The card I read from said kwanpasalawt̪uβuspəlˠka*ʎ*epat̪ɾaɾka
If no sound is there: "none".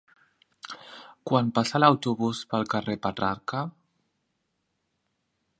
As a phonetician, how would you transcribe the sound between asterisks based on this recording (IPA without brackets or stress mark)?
r